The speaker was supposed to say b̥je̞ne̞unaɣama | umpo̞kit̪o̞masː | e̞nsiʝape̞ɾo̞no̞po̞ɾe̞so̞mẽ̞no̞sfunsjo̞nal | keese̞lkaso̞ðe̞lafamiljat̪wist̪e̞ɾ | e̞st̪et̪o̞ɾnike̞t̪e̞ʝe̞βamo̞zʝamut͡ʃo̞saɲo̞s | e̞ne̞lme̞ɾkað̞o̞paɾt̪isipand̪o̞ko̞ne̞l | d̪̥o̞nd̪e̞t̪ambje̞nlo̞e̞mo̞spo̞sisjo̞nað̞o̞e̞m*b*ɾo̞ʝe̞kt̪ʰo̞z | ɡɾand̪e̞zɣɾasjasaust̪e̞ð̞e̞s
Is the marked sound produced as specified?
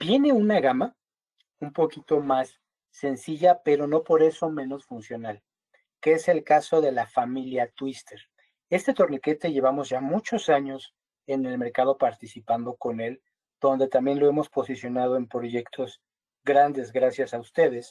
no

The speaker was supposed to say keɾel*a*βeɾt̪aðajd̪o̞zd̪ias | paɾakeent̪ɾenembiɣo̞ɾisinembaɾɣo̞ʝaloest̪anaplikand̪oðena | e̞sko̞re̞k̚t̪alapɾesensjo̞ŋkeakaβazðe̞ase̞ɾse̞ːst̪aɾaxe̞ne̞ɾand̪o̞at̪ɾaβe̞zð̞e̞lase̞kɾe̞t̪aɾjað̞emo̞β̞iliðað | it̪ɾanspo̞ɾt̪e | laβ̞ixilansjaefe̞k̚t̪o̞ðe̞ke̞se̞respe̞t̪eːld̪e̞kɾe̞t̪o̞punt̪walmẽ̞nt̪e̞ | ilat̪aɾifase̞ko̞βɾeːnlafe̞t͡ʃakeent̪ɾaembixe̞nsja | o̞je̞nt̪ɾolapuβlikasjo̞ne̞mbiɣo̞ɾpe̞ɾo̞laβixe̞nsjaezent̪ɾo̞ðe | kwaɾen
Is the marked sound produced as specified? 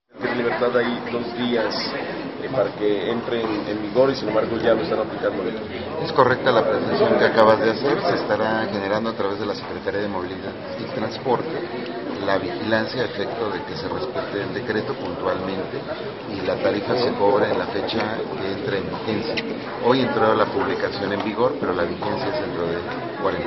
no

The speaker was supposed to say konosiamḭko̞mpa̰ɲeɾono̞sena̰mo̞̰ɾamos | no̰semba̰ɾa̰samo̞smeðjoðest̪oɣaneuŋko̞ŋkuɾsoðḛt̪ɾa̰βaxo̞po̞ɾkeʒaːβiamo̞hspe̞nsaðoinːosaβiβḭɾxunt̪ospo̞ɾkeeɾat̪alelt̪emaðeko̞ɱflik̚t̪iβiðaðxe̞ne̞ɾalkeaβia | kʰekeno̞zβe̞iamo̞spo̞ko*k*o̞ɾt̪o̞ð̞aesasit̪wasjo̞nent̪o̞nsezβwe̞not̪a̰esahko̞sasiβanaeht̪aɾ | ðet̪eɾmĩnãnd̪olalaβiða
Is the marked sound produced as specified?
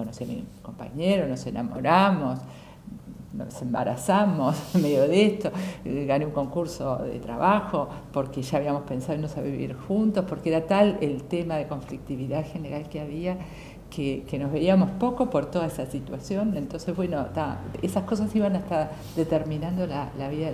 no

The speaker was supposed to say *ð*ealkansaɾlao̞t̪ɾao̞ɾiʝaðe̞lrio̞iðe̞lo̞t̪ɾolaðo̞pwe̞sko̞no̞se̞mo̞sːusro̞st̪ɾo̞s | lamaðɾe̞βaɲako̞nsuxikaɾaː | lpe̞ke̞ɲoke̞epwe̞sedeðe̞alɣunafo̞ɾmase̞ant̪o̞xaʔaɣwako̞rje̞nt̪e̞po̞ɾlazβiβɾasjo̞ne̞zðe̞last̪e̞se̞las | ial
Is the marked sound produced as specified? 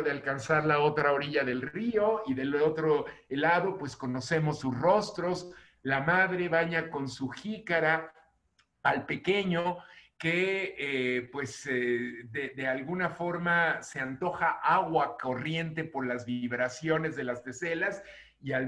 yes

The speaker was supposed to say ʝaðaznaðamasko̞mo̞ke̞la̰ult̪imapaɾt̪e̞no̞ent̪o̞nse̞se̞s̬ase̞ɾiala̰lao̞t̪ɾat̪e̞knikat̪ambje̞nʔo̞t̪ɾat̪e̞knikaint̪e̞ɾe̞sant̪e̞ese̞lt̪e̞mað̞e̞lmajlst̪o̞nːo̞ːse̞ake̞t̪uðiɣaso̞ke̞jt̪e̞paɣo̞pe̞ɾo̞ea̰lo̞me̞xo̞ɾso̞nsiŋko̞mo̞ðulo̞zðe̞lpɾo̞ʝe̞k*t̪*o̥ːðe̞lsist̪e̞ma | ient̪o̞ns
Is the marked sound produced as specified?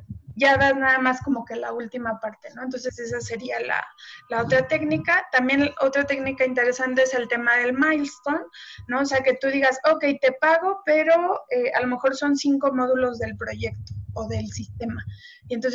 yes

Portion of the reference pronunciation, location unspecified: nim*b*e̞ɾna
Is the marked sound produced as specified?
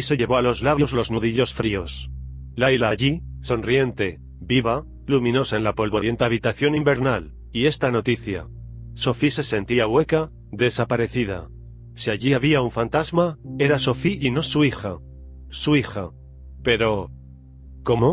yes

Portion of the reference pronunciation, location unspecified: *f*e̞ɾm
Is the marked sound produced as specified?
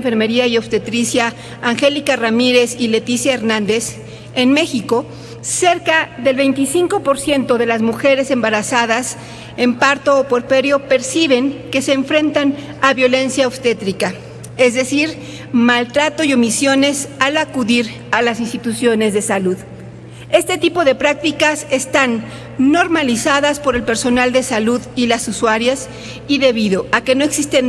yes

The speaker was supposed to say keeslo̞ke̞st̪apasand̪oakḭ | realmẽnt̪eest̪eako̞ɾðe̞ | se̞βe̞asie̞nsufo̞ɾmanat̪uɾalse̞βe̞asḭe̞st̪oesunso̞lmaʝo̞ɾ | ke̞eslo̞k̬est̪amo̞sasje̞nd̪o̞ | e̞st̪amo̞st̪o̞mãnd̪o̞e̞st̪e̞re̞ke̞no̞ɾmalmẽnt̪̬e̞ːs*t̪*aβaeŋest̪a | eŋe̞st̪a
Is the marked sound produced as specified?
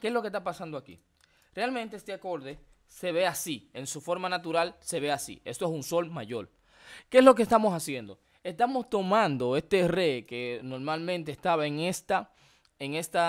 yes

